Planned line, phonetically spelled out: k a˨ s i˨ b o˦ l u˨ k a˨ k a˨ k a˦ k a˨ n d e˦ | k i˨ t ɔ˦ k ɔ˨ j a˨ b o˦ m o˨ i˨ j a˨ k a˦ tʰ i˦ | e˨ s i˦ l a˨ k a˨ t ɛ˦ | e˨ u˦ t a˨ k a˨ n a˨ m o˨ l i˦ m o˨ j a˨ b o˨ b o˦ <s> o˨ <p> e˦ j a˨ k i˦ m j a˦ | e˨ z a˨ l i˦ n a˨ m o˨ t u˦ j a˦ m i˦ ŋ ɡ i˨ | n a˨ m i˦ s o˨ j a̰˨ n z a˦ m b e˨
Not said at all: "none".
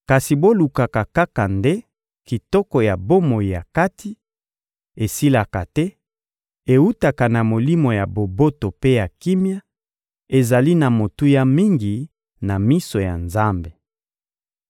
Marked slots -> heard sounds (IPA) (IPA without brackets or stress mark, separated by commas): t, p